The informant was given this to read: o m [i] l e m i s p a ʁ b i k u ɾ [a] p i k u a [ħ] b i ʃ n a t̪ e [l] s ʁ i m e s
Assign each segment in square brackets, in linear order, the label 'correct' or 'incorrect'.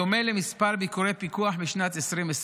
incorrect, incorrect, correct, incorrect

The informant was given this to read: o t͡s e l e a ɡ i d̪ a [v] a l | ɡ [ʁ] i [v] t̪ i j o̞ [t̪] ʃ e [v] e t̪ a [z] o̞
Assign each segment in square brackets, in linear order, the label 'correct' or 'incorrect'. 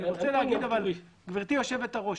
correct, incorrect, incorrect, incorrect, correct, incorrect

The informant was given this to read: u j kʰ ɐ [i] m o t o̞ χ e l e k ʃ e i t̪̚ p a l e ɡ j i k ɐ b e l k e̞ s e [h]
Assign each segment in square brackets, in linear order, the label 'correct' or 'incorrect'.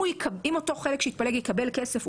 correct, incorrect

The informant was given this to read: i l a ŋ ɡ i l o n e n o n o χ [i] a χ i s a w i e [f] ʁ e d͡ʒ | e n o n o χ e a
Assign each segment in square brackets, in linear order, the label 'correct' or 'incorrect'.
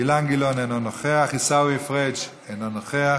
incorrect, correct

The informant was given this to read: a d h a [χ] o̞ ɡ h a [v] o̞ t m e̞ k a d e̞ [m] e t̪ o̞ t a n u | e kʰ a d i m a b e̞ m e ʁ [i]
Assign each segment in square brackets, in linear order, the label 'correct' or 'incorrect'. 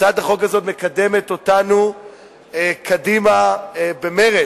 correct, incorrect, correct, incorrect

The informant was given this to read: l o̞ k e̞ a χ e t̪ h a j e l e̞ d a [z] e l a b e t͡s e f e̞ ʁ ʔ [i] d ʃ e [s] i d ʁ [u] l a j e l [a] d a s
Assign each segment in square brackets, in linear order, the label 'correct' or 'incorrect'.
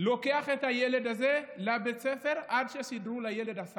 correct, incorrect, correct, correct, incorrect

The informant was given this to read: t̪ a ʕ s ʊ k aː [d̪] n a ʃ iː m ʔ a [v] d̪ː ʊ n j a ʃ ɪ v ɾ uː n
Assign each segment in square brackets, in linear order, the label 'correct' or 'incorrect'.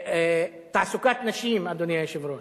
incorrect, incorrect

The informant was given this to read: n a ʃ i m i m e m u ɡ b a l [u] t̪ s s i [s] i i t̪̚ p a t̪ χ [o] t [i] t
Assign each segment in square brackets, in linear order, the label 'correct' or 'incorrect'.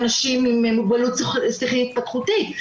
correct, incorrect, incorrect, correct

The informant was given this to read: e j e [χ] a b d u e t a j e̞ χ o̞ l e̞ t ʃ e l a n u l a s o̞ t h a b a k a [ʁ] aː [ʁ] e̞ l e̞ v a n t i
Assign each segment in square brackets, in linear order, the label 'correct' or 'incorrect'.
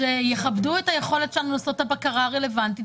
correct, correct, correct

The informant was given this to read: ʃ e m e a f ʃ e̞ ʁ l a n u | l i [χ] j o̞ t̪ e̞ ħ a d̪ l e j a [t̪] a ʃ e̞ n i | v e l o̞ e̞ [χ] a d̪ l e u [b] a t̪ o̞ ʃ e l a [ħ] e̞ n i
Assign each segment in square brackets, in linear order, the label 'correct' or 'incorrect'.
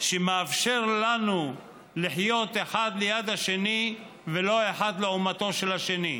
incorrect, incorrect, incorrect, incorrect, incorrect

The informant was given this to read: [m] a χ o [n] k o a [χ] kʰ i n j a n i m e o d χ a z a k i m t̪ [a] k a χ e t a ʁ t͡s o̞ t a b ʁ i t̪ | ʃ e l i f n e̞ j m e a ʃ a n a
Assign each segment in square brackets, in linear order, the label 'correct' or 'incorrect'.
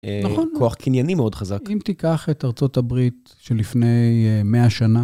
incorrect, correct, correct, incorrect

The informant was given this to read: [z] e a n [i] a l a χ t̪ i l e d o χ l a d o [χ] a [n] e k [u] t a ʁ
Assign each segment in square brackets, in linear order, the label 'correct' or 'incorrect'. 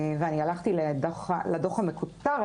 incorrect, correct, correct, incorrect, correct

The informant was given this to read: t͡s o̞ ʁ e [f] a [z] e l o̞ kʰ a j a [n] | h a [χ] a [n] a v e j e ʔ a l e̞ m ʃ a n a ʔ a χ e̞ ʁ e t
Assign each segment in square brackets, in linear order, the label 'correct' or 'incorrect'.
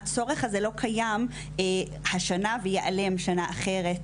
incorrect, correct, incorrect, incorrect, correct

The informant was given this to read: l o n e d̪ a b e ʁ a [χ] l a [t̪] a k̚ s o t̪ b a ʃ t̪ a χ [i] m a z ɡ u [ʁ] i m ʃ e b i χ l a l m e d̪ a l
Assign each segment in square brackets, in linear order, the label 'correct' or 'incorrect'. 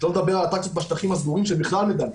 incorrect, correct, correct, correct

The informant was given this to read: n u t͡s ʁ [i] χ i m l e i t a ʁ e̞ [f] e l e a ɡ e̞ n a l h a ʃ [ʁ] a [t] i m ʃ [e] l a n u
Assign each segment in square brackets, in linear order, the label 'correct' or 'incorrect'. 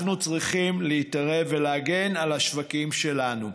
correct, incorrect, incorrect, incorrect, correct

